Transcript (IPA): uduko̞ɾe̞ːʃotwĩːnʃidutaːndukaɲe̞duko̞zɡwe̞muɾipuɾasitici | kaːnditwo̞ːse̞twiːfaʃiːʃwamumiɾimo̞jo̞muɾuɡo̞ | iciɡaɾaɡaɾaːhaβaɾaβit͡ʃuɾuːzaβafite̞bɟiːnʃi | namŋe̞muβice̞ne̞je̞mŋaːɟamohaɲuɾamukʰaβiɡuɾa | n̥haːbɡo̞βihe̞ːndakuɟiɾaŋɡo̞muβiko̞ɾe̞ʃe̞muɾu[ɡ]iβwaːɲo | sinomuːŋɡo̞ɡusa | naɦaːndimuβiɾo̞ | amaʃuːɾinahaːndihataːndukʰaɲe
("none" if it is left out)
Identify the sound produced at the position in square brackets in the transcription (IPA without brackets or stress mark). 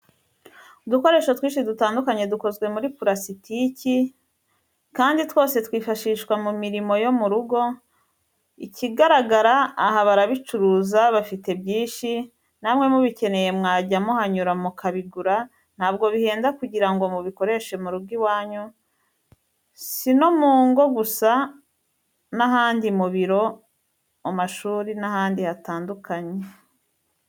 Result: ɡ